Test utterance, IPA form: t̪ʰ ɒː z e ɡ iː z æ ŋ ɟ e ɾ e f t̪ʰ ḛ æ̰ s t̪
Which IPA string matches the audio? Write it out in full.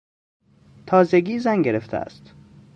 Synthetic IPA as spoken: t̪ʰ ɒː z e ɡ iː z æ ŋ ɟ e ɾ e f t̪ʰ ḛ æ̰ s t̪